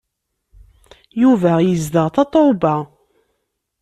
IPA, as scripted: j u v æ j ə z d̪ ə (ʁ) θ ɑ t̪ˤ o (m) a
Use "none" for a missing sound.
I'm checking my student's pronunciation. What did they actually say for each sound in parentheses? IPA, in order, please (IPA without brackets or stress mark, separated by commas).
ʁ, b